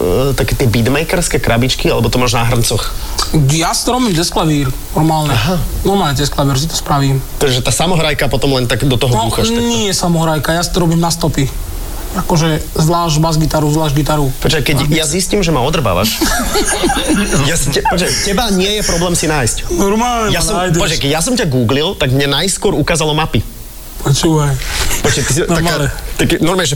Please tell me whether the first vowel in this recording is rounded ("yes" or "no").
no